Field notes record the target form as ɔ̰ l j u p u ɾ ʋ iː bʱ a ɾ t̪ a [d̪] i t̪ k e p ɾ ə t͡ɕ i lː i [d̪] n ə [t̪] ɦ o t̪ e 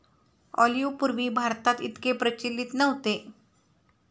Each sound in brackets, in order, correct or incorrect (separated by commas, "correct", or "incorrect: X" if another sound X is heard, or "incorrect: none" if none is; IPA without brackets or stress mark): incorrect: t̪, incorrect: t̪, incorrect: none